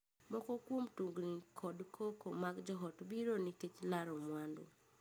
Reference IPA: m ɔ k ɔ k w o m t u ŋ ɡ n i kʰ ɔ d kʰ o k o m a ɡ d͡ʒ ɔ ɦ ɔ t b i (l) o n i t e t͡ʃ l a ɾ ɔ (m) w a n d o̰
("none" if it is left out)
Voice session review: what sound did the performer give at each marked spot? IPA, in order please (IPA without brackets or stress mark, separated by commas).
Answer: ɾ, m